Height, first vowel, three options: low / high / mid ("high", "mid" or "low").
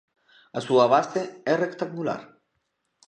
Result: low